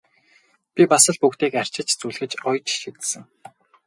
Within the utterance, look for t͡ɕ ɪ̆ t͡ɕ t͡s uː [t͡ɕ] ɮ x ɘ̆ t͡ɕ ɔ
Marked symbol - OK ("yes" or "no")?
no